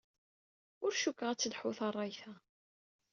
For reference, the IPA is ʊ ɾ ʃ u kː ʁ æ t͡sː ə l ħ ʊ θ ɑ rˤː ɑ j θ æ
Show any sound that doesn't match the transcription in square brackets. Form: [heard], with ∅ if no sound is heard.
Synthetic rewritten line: ʊ ɾ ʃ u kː ʁ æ t͡sː ə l ħ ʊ θ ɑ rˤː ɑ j θ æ